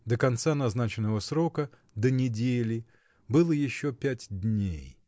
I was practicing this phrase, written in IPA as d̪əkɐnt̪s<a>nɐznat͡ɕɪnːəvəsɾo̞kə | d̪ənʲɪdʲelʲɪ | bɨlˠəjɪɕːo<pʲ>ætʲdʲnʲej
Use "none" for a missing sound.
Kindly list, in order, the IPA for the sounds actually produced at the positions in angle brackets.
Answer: a, pʲ

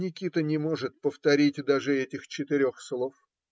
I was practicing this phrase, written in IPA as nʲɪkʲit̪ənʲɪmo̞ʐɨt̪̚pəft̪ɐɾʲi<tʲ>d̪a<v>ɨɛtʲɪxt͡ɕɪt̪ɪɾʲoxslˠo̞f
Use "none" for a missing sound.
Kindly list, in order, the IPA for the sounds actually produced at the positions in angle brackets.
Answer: tʲ, ʐ

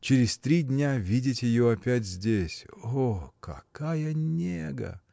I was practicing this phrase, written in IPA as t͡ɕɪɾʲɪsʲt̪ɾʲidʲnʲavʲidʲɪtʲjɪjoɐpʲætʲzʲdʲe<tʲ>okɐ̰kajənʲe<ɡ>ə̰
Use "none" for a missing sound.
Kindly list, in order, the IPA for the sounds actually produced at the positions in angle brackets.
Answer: sʲ, ɡ

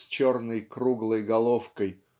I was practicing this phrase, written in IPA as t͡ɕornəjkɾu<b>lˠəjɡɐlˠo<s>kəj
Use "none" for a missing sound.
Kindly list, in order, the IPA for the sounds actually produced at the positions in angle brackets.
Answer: ɡ, f

